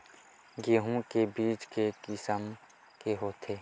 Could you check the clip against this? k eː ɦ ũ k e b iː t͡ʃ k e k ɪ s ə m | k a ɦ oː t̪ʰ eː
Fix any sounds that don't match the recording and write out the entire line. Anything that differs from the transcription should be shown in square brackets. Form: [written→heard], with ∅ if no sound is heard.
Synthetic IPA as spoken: [k→ɡ] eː ɦ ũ k e b iː t͡ʃ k e k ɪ s ə m | k [a→e] ɦ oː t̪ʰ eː